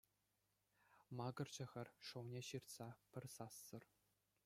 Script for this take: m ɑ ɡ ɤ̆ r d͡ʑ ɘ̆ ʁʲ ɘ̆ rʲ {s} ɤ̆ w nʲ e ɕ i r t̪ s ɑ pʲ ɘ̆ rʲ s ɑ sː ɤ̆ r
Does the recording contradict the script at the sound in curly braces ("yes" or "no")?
yes